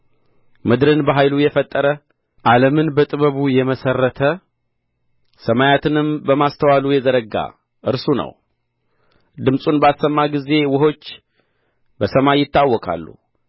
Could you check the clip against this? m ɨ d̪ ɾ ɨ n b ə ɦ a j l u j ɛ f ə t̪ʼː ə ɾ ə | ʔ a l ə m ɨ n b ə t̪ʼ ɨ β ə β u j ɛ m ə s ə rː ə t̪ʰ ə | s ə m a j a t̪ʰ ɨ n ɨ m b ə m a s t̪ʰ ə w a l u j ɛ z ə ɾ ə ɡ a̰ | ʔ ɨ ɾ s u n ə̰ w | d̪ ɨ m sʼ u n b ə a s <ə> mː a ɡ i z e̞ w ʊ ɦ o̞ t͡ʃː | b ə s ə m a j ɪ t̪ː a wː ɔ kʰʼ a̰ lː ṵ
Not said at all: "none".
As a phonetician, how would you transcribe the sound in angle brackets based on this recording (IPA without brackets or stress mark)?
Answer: ə